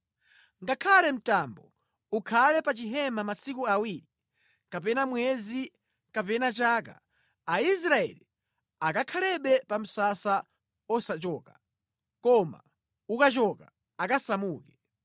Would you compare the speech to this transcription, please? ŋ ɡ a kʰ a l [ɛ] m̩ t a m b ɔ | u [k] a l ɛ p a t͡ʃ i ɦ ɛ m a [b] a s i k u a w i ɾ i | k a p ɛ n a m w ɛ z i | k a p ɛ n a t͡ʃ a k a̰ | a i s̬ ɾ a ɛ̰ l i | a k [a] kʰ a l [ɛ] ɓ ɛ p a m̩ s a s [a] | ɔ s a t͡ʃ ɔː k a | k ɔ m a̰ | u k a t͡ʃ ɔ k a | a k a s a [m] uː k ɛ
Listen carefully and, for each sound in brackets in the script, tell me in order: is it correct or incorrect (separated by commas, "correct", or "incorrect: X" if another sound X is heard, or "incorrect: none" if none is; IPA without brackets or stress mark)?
correct, incorrect: kʰ, incorrect: m, correct, correct, correct, correct